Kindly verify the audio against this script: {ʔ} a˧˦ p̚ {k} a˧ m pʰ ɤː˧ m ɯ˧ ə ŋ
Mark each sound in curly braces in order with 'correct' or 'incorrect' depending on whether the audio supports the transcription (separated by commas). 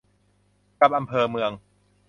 incorrect, incorrect